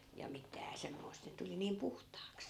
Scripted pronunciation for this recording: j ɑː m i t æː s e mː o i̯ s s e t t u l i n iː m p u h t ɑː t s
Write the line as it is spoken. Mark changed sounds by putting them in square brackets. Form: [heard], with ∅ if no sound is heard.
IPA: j [ɑ] m i t æː s e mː o i̯ s [t] e t t u l i n iː m p u h t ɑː [k] s